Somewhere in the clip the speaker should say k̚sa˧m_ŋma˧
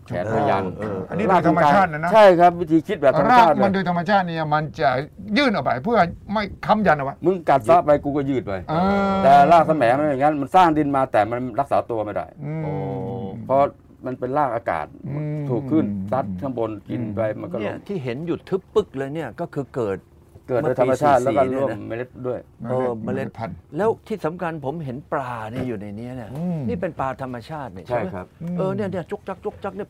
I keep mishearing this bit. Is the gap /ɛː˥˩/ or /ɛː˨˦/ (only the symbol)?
ɛː˨˦